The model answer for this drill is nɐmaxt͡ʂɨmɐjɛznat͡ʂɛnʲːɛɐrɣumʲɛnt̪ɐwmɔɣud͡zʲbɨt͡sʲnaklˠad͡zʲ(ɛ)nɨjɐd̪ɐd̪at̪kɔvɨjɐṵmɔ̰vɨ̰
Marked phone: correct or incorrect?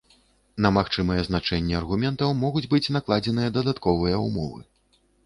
correct